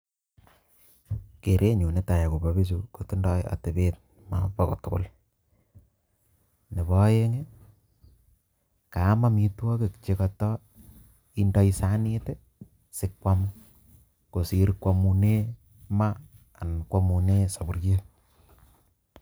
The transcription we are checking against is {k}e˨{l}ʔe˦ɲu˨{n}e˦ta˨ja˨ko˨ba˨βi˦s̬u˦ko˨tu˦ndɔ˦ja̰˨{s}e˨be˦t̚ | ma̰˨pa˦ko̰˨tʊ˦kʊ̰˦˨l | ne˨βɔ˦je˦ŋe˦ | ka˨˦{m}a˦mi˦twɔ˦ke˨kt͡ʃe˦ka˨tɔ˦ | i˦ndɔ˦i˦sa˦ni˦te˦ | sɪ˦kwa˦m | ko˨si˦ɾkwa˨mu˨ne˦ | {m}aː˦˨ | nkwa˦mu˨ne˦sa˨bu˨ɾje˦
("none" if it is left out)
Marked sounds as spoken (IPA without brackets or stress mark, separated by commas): k, ɾ, n, t, m, m